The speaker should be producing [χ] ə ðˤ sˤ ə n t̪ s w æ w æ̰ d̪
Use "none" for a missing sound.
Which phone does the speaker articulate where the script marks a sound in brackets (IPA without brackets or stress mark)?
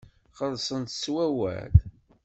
χ